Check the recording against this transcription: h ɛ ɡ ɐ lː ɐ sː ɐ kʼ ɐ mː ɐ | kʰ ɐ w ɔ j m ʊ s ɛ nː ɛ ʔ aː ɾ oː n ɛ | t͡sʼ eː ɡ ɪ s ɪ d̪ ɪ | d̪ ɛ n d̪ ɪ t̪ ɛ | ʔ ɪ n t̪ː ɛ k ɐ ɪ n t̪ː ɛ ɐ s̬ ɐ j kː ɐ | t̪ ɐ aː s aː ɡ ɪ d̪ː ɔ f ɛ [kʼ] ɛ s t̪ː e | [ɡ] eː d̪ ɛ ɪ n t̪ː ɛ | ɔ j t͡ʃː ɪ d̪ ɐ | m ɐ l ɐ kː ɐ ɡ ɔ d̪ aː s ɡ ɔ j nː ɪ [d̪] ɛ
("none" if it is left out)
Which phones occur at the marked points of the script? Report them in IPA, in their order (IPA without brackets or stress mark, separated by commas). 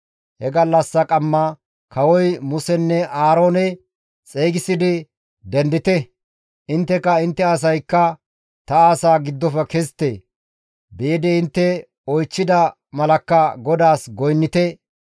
k, b, t̪